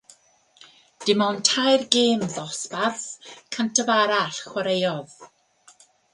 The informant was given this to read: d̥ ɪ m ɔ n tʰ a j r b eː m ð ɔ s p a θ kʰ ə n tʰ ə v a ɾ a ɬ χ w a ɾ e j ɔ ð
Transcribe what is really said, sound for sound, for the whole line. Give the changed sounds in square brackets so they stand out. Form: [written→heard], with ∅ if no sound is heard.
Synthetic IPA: d̥ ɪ m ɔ n tʰ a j r [b→ɡ] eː m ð ɔ s p a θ kʰ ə n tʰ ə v a ɾ a ɬ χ w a ɾ e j ɔ ð